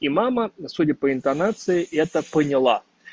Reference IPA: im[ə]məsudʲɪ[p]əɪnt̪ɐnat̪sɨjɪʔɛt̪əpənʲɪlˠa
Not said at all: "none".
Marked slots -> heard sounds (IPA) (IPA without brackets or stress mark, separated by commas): a, p